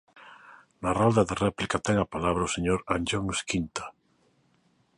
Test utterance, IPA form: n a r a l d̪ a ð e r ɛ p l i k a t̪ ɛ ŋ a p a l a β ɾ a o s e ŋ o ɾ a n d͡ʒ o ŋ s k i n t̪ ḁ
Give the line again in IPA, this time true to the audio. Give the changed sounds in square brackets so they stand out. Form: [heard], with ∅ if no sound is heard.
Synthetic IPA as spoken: n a r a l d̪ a ð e r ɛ p l i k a t̪ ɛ ŋ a p a l a β ɾ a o s e [ɲ] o ɾ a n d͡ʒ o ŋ s k i n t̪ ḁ